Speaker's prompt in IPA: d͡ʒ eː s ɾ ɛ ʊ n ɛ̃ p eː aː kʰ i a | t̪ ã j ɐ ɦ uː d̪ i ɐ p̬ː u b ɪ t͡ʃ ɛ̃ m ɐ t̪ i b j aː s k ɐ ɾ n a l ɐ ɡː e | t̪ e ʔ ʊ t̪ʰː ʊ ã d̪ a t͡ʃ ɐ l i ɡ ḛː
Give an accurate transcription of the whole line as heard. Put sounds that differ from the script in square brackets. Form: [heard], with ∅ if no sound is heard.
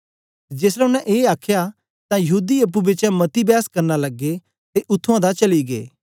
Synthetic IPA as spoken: d͡ʒ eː s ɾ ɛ ʊ n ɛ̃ [ʔ] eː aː kʰ [j] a | t̪ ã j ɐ ɦ uː d̪ i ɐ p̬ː u b ɪ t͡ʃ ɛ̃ m ɐ t̪ i b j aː s k ɐ ɾ n a l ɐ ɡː e | t̪ e ʔ ʊ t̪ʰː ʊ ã d̪ a t͡ʃ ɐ l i ɡ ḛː